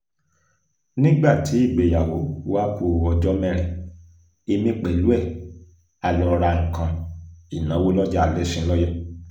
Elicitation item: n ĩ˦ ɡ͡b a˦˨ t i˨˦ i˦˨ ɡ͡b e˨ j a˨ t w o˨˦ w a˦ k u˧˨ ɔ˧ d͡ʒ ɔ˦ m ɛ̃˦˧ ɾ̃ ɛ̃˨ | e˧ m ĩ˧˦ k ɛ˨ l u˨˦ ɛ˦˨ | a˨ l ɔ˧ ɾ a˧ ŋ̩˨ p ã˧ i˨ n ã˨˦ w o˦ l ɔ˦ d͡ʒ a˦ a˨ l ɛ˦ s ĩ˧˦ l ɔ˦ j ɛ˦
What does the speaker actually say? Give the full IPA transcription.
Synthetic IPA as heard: n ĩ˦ ɡ͡b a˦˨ t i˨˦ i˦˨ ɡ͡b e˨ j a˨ w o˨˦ w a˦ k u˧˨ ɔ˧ d͡ʒ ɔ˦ m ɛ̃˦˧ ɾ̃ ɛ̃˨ | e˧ m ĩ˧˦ k͡p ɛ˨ l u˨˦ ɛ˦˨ | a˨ l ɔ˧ ɾ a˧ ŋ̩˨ k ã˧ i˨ n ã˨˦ w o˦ l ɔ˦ d͡ʒ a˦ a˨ l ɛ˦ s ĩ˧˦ l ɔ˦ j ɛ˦